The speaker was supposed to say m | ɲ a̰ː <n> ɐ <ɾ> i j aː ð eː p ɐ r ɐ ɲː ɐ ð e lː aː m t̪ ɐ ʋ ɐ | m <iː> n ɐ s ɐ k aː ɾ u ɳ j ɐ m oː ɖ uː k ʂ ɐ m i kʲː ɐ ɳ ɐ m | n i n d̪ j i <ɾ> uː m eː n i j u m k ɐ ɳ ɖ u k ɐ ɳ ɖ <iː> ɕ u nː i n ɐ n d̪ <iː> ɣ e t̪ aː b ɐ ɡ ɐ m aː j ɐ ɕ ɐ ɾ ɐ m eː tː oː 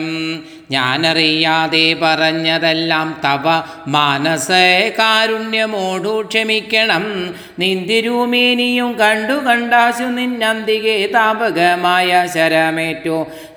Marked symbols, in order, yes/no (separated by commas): yes, no, no, yes, no, no